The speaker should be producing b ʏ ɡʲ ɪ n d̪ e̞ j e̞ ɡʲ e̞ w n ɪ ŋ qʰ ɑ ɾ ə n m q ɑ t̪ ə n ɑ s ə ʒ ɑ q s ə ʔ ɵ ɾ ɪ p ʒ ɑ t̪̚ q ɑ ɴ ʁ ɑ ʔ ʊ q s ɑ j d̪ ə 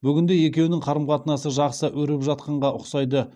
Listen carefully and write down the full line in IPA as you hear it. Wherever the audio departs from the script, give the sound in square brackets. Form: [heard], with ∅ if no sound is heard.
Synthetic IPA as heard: b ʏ ɡʲ ɪ n d̪ e̞ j e̞ [kʲ] e̞ w n ɪ ŋ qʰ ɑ ɾ ə [∅] m q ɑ t̪ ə n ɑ s ə ʒ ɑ q s ə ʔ ɵ ɾ ɪ p ʒ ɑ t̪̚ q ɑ ɴ ʁ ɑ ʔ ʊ q s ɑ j d̪ ə